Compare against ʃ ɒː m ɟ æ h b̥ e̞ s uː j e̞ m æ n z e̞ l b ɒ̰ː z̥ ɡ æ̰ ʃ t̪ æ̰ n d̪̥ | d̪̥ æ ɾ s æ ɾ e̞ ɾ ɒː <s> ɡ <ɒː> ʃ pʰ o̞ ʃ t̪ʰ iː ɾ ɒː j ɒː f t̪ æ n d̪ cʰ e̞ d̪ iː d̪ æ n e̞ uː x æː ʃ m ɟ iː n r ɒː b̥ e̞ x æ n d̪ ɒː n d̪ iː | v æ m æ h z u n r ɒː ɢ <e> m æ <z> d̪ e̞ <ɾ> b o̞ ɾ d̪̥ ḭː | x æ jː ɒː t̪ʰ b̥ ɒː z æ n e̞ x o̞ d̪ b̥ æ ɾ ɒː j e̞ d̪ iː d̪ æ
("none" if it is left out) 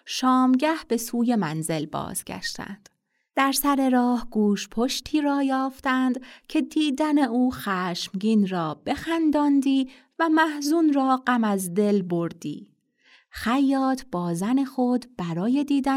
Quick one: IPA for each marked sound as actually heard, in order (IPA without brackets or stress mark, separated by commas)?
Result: h, uː, æ, z, l